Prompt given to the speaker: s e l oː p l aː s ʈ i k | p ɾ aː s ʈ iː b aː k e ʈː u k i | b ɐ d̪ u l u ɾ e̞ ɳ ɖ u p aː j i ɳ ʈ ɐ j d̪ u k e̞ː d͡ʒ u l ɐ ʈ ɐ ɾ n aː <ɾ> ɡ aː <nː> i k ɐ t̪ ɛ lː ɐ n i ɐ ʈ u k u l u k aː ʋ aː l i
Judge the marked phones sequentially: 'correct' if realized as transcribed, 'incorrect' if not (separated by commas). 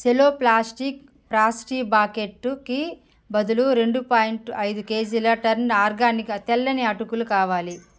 correct, incorrect